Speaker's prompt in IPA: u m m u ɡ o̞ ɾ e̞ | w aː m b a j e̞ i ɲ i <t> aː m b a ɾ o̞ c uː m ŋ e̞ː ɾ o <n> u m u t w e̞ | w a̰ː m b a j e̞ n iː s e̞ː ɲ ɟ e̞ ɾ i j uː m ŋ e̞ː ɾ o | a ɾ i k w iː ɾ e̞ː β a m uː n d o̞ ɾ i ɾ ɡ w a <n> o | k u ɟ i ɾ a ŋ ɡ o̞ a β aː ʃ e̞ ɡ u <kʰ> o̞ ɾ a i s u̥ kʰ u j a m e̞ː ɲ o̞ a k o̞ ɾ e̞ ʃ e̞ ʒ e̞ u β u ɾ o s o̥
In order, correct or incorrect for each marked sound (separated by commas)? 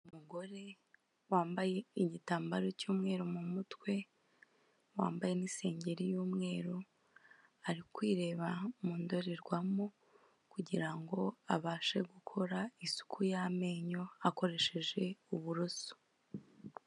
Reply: correct, incorrect, incorrect, correct